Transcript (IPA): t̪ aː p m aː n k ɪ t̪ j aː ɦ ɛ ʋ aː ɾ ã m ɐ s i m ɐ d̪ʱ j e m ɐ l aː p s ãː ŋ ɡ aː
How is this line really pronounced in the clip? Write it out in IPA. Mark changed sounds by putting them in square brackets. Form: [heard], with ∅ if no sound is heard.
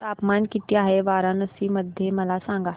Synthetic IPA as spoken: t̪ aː p m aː n k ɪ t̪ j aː ɦ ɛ ʋ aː ɾ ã [n] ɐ s i m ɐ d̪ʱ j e m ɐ l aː [∅] s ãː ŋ ɡ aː